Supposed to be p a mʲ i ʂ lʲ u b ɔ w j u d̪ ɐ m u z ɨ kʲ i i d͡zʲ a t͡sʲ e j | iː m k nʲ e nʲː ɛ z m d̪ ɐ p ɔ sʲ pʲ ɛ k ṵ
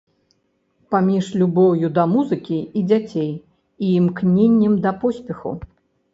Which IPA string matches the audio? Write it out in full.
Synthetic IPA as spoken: p a mʲ i ʂ lʲ u b ɔ w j u d̪ ɐ m u z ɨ kʲ i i d͡zʲ a t͡sʲ e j | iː m k nʲ e nʲː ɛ m d̪ ɐ p ɔ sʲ pʲ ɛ x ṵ